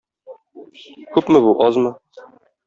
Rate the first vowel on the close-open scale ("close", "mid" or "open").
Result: close